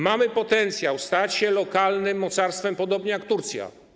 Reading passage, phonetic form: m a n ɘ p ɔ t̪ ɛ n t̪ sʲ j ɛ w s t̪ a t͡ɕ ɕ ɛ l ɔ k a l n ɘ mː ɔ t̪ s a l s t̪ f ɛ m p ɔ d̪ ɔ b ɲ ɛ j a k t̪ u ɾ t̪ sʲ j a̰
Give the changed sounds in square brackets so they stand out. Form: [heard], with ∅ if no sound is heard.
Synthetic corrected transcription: m a [m] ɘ p ɔ t̪ ɛ n t̪ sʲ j [a] w s t̪ a t͡ɕ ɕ ɛ l ɔ k a l n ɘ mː ɔ t̪ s a [ɾ] s t̪ f ɛ m p ɔ d̪ ɔ b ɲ ɛ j a k t̪ u ɾ t̪ sʲ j a̰